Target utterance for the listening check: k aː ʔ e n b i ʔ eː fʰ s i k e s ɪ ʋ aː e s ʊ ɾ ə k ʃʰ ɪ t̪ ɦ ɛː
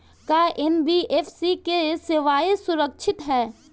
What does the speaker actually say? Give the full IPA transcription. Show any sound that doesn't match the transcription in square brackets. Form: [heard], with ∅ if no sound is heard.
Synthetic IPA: k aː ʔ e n b i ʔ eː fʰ s i k e s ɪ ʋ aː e s ʊ ɾ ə k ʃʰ ɪ t̪ ɦ ɛː

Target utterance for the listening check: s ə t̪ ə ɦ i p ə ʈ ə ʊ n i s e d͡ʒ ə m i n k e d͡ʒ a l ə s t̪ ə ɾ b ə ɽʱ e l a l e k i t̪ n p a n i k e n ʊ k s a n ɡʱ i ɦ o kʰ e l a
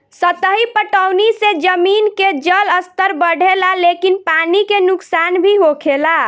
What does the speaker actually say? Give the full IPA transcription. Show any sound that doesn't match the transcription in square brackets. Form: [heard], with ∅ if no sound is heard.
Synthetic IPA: s ə t̪ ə ɦ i p ə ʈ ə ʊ n i s e d͡ʒ ə m i n k e d͡ʒ [ə] l ə s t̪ ə ɾ b ə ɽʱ e l a l e k i [∅] n p a n i k e n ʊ k s a n [bʱ] i ɦ o kʰ e l a

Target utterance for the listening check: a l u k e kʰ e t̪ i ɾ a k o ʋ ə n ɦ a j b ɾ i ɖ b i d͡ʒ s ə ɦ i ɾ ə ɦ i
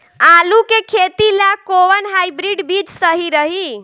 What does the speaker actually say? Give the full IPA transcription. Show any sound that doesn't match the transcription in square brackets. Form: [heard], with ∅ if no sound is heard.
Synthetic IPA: a l u k e kʰ e t̪ i [l] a k o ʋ ə n ɦ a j b ɾ i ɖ b i d͡ʒ s ə ɦ i ɾ ə ɦ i

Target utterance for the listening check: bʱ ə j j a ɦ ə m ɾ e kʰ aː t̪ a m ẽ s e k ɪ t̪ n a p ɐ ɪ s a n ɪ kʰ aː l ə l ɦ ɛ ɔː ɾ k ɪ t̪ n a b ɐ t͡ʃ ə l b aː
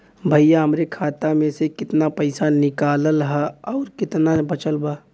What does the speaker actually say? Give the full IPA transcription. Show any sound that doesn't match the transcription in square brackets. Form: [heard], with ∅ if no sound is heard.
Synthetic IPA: bʱ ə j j a ɦ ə m ɾ e kʰ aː t̪ a m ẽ s e k ɪ t̪ n a p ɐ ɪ s a n ɪ [k] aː l ə l ɦ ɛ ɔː ɾ k ɪ t̪ n a b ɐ t͡ʃ ə l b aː

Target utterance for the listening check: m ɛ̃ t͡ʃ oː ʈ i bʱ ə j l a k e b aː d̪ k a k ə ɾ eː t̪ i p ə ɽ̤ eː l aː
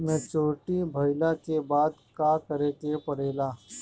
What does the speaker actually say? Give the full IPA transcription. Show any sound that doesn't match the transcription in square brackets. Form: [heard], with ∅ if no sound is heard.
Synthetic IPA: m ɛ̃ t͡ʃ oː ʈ i bʱ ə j l a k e b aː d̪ k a k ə ɾ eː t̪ [e] p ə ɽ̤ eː l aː

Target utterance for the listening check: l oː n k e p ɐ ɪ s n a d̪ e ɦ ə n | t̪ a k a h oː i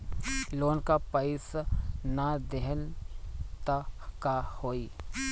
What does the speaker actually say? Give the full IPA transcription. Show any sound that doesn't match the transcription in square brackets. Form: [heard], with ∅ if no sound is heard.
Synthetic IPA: l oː n k [a] p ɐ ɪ s n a d̪ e ɦ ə n | t̪ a k a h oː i

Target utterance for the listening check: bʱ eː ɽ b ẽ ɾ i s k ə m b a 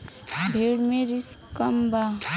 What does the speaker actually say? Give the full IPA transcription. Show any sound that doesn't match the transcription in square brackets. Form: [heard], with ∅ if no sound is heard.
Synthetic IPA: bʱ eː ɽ [m] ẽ ɾ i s k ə m b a

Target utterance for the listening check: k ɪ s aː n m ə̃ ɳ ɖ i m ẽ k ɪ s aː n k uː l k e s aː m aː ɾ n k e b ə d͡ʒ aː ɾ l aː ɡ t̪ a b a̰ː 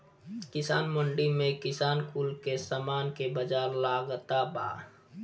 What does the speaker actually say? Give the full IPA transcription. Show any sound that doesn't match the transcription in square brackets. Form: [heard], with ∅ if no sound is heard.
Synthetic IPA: k ɪ s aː n m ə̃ ɳ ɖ i m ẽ k ɪ s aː n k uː l k e s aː m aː [∅] n k e b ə d͡ʒ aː ɾ l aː ɡ t̪ a b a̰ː

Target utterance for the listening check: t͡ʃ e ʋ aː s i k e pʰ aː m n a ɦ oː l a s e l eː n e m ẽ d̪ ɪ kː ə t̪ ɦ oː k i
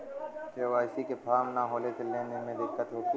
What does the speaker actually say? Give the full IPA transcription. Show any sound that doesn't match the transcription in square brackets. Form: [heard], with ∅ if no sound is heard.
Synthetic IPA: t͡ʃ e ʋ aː s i k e pʰ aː m n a ɦ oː l [e] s e l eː n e m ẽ d̪ ɪ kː ə t̪ ɦ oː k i

